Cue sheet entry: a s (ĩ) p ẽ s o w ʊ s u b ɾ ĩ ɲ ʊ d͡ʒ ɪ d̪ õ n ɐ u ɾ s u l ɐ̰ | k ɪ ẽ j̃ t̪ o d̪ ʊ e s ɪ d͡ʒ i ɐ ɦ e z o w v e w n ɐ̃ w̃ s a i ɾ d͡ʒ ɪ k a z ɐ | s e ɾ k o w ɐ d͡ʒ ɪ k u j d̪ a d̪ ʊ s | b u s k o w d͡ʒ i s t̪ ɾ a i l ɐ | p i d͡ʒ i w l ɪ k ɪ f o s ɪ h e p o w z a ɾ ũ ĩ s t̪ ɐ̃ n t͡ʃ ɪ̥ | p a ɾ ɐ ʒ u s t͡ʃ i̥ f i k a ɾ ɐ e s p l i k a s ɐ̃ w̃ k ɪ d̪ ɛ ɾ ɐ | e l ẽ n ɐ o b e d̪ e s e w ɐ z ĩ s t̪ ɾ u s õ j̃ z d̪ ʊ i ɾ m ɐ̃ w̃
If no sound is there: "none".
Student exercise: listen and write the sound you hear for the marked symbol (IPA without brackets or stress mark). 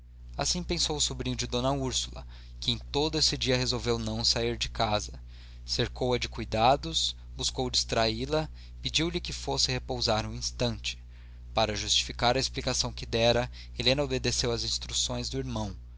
ĩ